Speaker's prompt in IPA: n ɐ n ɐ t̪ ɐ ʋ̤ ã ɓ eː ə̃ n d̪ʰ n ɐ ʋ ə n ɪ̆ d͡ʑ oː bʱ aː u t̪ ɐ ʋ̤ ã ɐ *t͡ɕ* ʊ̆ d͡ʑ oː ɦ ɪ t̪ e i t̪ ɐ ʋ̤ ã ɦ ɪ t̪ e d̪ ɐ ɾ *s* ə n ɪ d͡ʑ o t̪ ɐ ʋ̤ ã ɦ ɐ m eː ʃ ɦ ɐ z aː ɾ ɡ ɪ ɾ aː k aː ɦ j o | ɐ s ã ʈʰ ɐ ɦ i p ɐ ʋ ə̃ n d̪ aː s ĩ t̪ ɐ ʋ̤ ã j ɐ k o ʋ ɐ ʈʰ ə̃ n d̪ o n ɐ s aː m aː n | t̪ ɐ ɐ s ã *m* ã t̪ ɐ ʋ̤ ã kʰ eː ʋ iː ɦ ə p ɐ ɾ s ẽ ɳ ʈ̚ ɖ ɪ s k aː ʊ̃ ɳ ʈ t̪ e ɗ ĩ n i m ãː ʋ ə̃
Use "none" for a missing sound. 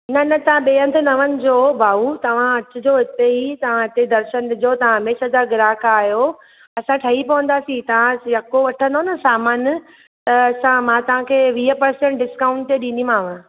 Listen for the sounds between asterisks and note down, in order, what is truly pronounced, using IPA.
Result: t͡ɕ, ʃ, m

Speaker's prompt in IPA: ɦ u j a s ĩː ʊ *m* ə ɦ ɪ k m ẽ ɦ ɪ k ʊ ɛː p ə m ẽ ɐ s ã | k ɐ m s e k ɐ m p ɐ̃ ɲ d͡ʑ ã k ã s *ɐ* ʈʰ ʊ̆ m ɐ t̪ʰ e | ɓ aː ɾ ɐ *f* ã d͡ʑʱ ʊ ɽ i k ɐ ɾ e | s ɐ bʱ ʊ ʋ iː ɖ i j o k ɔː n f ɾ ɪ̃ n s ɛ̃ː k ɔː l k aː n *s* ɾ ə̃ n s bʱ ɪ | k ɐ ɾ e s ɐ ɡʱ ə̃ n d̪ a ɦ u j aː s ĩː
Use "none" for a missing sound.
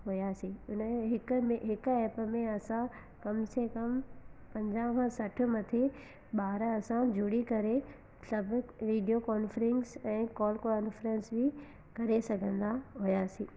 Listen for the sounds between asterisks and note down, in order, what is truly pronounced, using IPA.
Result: n, ɐ, s, f

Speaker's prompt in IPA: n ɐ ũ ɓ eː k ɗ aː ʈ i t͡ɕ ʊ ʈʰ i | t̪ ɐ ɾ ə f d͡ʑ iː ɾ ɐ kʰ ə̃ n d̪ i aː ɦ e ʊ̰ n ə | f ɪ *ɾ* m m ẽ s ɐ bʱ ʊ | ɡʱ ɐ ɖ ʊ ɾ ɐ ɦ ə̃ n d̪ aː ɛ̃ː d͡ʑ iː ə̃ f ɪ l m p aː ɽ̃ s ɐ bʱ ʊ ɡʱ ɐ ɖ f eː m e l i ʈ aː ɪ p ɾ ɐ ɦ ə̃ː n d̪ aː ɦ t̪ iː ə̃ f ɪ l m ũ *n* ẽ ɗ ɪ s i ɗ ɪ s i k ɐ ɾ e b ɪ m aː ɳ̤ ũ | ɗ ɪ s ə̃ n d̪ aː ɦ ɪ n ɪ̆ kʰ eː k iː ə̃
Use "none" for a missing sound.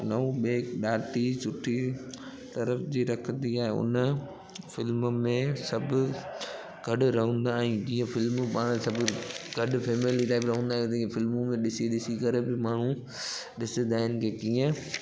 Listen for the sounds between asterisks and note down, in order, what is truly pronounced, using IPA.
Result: l, m

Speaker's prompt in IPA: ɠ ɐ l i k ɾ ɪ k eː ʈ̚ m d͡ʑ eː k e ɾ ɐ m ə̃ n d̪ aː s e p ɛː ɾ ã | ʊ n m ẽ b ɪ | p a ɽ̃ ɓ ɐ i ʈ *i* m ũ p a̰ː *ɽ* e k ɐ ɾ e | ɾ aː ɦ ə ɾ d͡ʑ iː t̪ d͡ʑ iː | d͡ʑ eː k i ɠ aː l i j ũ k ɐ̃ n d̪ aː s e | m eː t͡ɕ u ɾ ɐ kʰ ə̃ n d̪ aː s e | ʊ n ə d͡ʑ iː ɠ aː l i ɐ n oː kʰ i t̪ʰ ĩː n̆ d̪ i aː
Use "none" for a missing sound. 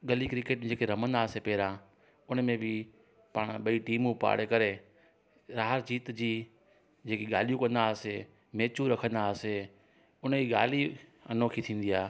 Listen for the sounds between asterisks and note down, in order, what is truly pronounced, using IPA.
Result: iː, ɽ

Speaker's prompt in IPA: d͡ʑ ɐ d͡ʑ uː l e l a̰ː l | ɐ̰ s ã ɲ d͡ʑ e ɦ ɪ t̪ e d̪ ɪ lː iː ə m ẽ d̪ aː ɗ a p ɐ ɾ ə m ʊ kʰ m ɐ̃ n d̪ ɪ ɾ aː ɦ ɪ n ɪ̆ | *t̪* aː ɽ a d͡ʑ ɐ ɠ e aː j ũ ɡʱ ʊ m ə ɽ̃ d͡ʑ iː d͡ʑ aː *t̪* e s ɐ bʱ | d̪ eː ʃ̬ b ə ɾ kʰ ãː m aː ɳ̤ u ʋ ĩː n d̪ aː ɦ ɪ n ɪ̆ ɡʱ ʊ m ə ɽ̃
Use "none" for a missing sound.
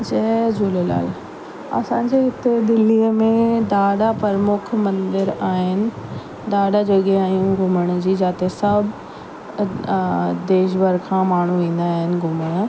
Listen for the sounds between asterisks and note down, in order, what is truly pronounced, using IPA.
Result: d̪, t̪

